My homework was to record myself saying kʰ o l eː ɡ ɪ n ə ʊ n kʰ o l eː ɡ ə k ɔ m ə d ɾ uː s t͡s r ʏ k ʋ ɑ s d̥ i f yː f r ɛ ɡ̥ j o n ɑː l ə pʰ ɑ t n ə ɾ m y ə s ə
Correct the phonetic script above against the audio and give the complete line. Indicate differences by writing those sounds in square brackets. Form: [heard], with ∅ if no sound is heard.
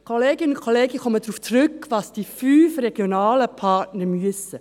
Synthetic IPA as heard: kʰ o l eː ɡ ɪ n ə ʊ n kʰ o l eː ɡ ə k ɔ m ə d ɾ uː [f] t͡s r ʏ k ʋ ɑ s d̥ i f yː f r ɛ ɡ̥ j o n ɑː l ə pʰ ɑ t n ə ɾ m y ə s ə

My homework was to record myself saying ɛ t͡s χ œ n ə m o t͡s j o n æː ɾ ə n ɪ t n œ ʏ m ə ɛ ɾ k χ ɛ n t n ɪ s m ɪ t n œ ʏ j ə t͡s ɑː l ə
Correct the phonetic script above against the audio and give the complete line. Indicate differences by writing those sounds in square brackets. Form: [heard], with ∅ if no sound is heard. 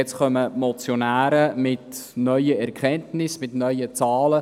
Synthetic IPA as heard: ɛ t͡s χ œ [m] ə m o t͡s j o n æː ɾ ə [m] ɪ t n œ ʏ [∅] ə ɛ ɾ k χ ɛ n t n ɪ s m ɪ t n œ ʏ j ə t͡s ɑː l ə

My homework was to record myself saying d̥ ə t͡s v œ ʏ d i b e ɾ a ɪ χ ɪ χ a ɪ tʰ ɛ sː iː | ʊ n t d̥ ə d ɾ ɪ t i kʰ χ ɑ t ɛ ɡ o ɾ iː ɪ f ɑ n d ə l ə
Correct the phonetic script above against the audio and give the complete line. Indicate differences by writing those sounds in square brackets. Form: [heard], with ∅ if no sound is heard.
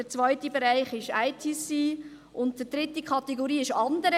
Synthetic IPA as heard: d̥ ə t͡s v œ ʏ [t] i b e ɾ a ɪ χ ɪ [ʃ] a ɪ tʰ [i] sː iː | ʊ n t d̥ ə d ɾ ɪ t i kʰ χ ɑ t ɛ ɡ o ɾ iː ɪ [ʃ] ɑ n d ə [ɾ] ə

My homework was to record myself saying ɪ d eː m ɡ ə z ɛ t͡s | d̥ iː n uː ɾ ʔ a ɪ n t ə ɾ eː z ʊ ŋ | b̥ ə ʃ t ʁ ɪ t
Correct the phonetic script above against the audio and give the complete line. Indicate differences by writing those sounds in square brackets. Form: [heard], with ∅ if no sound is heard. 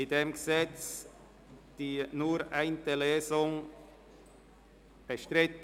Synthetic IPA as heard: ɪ d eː m ɡ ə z ɛ t͡s | d̥ iː n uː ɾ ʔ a ɪ n t ə [l] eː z ʊ ŋ | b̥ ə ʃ t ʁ ɪ t

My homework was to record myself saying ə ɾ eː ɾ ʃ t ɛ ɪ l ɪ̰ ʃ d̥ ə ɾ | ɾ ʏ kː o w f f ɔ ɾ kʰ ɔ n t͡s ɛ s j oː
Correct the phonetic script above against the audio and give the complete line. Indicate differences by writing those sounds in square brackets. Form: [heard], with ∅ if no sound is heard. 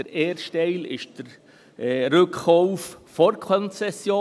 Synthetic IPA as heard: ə ɾ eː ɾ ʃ t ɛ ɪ l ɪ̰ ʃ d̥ ə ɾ | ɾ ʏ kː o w f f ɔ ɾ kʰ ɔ n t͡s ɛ s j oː

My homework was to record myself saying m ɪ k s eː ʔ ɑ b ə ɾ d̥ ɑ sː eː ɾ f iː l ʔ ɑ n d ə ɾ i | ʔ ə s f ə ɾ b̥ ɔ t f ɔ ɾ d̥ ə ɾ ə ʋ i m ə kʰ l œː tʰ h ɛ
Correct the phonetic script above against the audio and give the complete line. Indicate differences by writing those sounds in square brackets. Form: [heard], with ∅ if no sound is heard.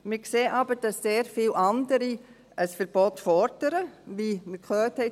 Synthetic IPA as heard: m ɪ k s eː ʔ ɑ b ə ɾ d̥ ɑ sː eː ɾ f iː l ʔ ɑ n d ə ɾ i | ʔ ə s f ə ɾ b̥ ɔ t f ɔ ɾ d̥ ə ɾ ə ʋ i m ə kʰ l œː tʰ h ɛ

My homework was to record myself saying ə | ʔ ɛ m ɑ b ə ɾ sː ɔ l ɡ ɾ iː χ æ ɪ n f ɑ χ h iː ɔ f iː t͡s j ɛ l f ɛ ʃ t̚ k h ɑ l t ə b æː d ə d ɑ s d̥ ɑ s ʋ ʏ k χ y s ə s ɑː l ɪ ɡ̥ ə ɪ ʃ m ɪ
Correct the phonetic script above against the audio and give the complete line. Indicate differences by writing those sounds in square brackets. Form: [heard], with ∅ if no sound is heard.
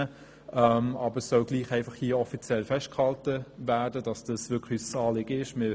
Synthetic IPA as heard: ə | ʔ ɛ m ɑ b ə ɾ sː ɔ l ɡ [l] iː χ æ ɪ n f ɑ χ h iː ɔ f [i] t͡s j ɛ l f ɛ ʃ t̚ k h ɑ l t ə [v] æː d ə d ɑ s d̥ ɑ s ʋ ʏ k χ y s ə s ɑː l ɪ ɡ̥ ə ɪ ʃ m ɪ

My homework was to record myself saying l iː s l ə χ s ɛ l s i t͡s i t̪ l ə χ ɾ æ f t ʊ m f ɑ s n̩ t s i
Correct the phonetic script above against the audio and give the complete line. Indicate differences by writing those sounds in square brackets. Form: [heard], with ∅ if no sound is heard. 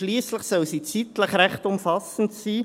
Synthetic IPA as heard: l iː s l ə χ s [œ] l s i t͡s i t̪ l ə χ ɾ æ [χ] t ʊ m f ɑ s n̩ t s [iː]

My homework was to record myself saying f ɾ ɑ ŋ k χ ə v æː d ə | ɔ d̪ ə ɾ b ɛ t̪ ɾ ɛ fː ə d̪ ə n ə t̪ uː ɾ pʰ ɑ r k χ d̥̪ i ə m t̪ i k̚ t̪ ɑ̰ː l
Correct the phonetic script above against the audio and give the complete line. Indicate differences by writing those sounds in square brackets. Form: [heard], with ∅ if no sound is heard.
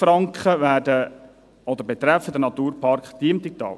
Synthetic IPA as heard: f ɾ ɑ ŋ k χ ə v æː d ə | ɔ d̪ ə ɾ b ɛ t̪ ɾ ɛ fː ə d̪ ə n [ɑ] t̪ uː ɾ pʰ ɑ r k χ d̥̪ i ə m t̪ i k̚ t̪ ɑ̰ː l

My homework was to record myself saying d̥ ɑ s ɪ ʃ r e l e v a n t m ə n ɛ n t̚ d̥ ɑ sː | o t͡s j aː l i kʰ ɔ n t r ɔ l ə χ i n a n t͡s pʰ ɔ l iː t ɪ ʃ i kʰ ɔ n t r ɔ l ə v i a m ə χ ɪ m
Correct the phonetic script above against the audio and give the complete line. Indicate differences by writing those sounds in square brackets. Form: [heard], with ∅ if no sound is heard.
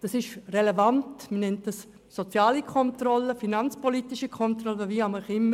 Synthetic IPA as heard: d̥ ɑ s ɪ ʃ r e l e v a n t m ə n ɛ n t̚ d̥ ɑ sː | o t͡s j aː l i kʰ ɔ n t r ɔ l ə [f] i n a n t͡s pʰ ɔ l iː t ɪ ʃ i kʰ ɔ n t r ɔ l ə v i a m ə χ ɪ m

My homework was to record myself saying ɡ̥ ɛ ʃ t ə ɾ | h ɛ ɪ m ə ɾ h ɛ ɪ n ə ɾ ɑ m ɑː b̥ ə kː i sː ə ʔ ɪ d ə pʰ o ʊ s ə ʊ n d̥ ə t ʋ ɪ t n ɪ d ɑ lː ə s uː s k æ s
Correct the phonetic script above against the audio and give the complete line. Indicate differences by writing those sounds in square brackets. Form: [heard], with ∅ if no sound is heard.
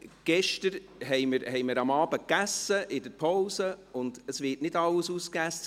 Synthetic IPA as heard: ɡ̥ ɛ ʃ t ə ɾ | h ɛ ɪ m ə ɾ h ɛ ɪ [m] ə ɾ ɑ m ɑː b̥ ə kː [æ] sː ə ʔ ɪ d ə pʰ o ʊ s ə ʊ n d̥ ə [s] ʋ ɪ t n ɪ d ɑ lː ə s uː s k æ s

